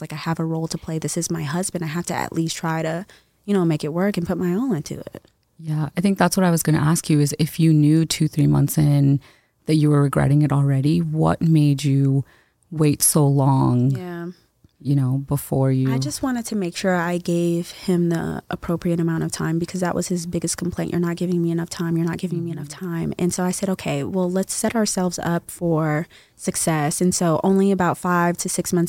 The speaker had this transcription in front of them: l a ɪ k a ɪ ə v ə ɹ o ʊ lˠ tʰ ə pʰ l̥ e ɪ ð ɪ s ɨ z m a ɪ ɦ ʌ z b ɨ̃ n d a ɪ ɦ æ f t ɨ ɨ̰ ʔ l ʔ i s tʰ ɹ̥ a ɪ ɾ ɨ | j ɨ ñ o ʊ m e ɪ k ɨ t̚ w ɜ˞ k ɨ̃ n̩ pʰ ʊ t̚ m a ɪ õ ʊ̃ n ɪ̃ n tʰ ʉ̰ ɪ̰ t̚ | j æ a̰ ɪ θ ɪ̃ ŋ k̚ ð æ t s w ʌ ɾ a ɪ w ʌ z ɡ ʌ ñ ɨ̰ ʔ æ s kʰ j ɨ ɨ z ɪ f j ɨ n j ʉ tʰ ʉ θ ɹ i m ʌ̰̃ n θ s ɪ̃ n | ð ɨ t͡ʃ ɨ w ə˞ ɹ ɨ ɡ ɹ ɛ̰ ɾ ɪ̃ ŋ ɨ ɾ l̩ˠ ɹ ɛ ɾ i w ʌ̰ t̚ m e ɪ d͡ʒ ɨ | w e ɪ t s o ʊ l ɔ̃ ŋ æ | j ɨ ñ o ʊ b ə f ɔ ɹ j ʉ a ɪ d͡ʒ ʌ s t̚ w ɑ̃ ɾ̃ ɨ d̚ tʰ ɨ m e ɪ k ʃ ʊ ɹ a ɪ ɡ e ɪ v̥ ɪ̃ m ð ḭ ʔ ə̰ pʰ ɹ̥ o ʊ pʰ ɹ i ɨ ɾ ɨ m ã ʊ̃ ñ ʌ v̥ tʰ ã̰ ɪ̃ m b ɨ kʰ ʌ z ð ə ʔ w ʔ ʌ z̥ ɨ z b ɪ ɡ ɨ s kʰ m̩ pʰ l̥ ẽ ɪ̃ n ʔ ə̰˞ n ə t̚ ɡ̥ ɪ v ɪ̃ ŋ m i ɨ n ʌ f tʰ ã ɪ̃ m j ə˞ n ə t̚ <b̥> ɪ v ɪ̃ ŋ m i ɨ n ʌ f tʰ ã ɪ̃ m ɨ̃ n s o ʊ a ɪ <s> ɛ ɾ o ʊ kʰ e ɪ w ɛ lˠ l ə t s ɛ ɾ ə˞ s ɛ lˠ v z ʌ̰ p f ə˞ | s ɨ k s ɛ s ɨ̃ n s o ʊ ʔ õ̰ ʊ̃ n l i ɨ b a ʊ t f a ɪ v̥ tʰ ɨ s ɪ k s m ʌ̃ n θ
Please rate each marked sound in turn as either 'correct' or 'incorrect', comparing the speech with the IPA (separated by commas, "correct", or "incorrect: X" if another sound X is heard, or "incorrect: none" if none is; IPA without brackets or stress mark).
incorrect: ɡ̥, correct